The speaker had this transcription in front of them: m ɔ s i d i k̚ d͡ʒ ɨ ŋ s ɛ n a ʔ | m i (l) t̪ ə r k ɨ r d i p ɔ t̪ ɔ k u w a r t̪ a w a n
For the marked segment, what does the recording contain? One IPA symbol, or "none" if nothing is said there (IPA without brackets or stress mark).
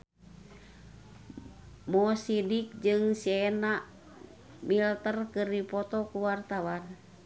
l